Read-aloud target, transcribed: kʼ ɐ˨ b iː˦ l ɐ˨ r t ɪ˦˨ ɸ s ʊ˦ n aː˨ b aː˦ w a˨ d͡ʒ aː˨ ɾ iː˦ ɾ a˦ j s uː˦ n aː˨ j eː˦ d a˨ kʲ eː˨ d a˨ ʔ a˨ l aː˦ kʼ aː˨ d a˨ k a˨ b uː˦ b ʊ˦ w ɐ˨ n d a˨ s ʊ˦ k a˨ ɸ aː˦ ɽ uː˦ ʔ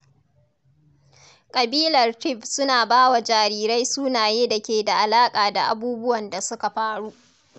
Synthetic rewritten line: kʼ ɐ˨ b iː˦ l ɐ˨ r t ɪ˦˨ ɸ s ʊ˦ n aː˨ b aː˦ w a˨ d͡ʒ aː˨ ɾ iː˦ ɾ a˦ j s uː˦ n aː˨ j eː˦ d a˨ kʲ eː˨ d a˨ ʔ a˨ l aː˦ kʼ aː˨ d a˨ ʔ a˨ b uː˦ b ʊ˦ w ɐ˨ n d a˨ s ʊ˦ k a˨ ɸ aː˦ ɽ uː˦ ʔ